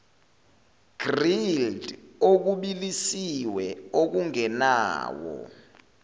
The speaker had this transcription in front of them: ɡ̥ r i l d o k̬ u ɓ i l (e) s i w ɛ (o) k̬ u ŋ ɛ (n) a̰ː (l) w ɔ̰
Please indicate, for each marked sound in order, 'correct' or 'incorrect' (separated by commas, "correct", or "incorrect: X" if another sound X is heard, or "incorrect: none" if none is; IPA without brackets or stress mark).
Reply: incorrect: i, correct, correct, incorrect: none